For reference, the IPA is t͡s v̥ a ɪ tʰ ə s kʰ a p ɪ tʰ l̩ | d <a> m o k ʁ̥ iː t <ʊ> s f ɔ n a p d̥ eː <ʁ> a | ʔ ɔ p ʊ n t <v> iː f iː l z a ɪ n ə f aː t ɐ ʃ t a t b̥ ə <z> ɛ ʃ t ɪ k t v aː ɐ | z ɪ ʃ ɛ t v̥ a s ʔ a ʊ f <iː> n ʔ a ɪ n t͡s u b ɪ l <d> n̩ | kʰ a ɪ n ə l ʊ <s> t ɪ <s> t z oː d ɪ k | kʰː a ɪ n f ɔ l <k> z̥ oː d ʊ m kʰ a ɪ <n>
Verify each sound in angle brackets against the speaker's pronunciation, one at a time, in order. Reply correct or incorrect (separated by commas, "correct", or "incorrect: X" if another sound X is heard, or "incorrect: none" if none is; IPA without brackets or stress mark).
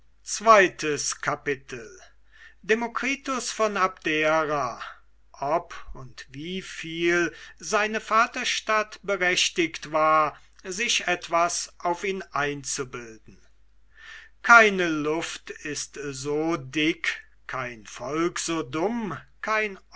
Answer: incorrect: e, correct, correct, correct, incorrect: ʁ, correct, correct, incorrect: f, correct, correct, correct